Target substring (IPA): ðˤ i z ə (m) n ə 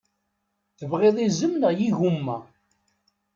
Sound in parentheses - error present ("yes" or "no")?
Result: no